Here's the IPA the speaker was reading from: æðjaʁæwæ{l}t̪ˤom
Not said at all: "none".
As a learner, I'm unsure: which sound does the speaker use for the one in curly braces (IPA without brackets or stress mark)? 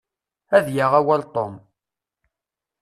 l